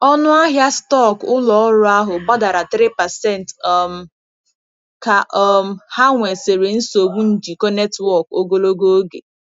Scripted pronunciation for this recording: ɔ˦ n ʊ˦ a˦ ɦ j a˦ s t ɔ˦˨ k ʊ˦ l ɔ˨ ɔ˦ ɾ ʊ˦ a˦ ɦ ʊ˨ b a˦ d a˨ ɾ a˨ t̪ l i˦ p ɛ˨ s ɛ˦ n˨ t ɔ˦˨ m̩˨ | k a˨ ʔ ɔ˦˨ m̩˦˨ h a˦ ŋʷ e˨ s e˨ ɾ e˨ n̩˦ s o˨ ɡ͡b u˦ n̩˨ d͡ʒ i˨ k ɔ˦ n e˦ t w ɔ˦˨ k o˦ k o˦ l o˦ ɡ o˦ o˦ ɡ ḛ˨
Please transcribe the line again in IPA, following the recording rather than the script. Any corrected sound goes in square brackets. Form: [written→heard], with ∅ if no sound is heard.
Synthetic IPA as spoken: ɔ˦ n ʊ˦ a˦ ɦ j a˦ s t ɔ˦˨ k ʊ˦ l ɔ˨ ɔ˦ ɾ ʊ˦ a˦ ɦ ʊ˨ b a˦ d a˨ ɾ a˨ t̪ [l→ɾ] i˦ p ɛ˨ s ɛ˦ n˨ t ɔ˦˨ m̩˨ | k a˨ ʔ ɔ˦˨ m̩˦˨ h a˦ ŋʷ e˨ s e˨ ɾ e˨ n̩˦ s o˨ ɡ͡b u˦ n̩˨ d͡ʒ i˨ k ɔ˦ n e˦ t w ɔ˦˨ k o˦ [k→ɡ] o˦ l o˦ ɡ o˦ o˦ ɡ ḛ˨